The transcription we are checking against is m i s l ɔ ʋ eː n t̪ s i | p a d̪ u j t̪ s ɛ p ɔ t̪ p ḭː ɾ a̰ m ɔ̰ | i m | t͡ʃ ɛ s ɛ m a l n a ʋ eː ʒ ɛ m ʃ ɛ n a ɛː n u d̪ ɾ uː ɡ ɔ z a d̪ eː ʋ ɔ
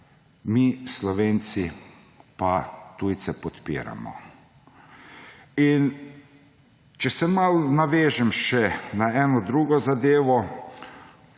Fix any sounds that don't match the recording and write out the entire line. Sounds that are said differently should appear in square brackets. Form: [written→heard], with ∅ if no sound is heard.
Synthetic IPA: m i s l ɔ ʋ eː n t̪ s i | p a [d̪→t̪] u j t̪ s ɛ p ɔ t̪ p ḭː ɾ a̰ m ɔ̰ | i [m→n] | t͡ʃ ɛ s ɛ m a l n a ʋ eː ʒ ɛ m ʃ ɛ n a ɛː n [u→ɔ] d̪ ɾ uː ɡ ɔ z a d̪ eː ʋ ɔ